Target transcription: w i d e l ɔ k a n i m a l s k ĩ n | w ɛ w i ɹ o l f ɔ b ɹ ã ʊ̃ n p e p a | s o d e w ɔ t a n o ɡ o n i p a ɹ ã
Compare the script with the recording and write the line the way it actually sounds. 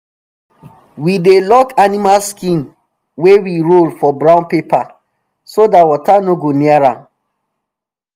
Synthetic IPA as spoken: w i d e l ɔ k a n i m a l s k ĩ n | w e w i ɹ o l f ɔ b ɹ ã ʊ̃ n p e p a | s o d a w ɔ t a n o ɡ o n i a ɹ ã